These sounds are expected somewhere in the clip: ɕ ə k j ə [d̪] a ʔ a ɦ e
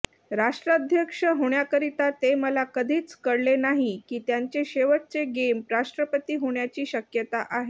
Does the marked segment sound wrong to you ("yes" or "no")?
yes